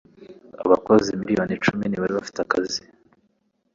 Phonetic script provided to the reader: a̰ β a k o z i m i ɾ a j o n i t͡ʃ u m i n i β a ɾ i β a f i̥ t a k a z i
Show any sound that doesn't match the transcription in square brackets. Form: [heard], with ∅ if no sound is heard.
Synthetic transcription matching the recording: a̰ β a k o z i m i ɾ [i] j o n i t͡ʃ u m i n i β a ɾ i β a f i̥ t a k a z i